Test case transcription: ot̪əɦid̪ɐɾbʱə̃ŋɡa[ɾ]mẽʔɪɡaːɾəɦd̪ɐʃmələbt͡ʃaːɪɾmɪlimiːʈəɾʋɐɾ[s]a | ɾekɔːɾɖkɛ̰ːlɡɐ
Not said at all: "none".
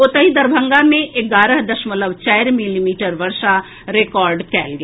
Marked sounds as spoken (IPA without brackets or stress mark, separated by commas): none, ʃ